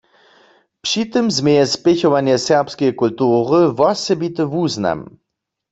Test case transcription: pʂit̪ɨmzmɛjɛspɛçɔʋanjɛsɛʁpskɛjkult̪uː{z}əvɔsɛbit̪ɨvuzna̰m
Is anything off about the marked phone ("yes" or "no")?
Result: yes